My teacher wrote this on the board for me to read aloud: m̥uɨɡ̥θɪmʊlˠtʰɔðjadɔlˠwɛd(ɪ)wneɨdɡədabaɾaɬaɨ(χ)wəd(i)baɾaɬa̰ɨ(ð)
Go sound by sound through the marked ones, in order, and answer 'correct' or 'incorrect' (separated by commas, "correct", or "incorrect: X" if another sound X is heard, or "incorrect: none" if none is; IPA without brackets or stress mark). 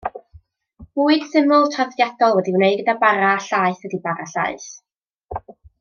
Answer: incorrect: i, incorrect: θ, correct, incorrect: θ